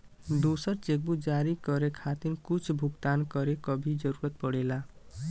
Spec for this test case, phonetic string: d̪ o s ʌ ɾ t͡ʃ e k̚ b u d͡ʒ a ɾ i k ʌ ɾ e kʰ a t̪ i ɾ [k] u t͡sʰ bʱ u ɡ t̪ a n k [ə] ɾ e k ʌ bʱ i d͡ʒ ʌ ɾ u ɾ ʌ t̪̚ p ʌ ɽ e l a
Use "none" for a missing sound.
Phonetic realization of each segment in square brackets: k, ʌ

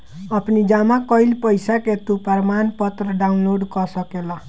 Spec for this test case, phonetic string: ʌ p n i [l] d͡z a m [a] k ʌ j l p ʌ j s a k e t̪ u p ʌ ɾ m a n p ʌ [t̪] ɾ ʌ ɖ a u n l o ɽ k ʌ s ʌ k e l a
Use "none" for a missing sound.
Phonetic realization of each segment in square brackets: none, a, t̪

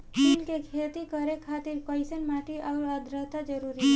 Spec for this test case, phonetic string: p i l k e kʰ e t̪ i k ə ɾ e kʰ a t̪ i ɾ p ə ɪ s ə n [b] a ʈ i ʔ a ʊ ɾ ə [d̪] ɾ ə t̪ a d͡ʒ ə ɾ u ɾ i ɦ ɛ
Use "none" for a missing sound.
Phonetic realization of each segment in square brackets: m, d̪

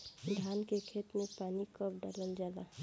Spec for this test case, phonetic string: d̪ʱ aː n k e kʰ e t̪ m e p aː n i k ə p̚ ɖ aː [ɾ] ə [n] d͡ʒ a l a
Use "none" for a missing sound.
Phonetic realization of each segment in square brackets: l, n

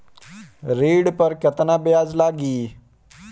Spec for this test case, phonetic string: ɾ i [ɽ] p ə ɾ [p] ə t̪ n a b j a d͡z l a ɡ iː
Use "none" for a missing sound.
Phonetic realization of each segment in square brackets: ɽ, k

